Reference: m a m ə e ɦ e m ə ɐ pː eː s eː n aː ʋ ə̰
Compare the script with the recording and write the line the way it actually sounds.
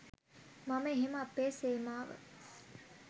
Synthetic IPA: m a m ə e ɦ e m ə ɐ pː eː s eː m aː ʋ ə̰